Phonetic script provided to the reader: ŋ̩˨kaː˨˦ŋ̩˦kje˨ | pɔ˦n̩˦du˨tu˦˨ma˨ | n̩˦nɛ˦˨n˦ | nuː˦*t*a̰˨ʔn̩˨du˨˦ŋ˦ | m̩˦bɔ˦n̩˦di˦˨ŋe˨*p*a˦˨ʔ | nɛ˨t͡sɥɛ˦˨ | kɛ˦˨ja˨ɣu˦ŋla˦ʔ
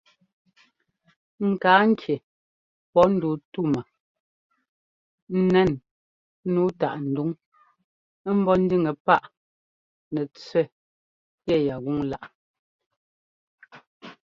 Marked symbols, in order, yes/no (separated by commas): yes, yes